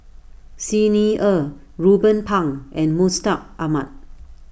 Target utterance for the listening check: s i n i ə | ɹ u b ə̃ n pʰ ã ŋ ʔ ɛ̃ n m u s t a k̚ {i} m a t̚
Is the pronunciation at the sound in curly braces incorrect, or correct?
incorrect